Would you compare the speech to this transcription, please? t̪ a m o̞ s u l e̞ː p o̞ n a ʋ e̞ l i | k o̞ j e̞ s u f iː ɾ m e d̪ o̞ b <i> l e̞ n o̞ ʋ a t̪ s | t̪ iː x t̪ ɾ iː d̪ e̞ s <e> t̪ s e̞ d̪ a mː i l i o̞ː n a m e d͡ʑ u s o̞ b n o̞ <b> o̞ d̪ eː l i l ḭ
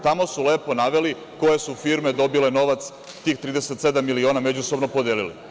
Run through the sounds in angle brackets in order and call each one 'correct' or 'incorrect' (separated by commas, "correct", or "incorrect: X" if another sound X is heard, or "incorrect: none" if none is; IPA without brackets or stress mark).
correct, correct, incorrect: p